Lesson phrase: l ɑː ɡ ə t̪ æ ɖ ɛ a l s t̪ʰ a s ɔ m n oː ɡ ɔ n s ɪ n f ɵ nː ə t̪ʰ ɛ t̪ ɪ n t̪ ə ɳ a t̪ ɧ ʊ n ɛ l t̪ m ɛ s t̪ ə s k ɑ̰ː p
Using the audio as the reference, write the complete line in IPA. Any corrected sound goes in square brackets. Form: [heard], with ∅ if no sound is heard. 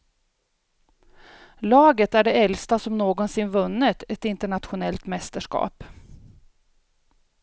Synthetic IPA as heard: l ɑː ɡ ə t̪ æ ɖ ɛ [ɛ] l s [t̪] a s ɔ m n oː ɡ ɔ n s ɪ n [v] ɵ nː ə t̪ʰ ɛ t̪ ɪ n t̪ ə ɳ a t̪ ɧ ʊ n ɛ l t̪ m ɛ s t̪ ə [ʂ] k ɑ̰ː p